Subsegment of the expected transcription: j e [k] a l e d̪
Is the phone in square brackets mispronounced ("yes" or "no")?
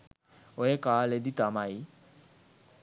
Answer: no